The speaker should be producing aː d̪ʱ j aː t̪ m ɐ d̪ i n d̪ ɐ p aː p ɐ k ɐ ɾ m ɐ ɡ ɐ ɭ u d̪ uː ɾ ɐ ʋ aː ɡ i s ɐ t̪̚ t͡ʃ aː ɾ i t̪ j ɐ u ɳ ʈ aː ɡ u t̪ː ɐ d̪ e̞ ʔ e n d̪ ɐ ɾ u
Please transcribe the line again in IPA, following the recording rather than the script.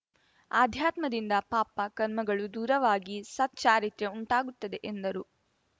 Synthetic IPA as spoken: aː d̪ʱ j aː t̪ m ɐ d̪ i n d̪ ɐ p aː p ɐ k ɐ ɾ m ɐ ɡ ɐ ɭ u d̪ uː ɾ ɐ ʋ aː ɡ i s ɐ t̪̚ t͡ʃ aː ɾ i t̪ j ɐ u ɳ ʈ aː ɡ u t̪ː ɐ d̪ e̞ ʔ e n d̪ ɐ ɾ u